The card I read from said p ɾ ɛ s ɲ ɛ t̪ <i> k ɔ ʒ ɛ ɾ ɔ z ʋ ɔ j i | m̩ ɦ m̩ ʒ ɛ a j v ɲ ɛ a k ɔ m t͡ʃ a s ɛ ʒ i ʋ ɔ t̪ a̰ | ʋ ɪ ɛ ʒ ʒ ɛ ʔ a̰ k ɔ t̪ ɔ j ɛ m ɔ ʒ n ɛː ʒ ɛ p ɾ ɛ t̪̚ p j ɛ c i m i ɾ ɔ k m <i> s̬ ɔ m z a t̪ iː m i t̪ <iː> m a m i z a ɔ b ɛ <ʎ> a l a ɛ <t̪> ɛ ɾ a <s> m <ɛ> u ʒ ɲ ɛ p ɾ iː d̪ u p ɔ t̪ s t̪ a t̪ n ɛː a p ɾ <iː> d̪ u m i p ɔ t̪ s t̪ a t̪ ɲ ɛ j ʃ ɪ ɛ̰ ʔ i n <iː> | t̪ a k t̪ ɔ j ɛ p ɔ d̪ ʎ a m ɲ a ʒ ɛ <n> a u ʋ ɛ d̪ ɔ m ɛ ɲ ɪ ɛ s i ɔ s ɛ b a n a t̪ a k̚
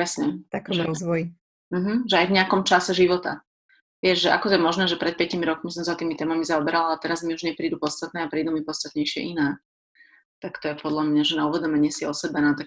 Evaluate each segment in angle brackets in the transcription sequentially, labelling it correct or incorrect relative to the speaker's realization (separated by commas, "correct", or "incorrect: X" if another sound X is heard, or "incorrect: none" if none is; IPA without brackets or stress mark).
incorrect: a, correct, incorrect: ɛː, incorrect: ɾ, correct, incorrect: z, incorrect: i, correct, incorrect: ɛː, correct